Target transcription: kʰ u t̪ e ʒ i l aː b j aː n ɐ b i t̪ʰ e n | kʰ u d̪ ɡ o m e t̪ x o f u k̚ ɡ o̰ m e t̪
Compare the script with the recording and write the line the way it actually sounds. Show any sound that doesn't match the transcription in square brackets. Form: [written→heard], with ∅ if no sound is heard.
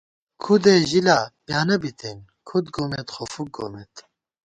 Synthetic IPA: kʰ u [t̪→d̪] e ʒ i l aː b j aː n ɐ b i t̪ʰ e n | kʰ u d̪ ɡ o m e t̪ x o f u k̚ ɡ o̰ m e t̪